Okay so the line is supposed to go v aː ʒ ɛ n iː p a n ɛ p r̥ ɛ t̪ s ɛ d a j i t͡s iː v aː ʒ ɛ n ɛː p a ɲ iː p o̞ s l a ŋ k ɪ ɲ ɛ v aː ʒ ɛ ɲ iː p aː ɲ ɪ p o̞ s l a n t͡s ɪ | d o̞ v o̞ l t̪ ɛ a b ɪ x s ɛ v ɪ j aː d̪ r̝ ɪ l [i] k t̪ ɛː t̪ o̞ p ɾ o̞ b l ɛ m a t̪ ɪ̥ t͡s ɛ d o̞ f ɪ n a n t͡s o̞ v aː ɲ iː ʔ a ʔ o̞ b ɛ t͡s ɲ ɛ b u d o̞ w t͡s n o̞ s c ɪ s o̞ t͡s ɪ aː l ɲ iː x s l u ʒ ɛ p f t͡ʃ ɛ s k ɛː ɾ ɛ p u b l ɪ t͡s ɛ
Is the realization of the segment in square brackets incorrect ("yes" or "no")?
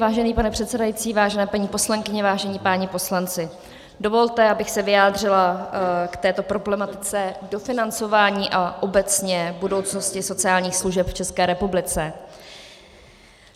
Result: yes